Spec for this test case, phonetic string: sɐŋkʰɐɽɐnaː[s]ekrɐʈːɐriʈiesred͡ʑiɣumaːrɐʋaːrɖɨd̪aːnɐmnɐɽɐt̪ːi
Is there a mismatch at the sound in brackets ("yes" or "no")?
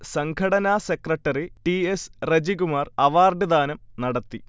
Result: no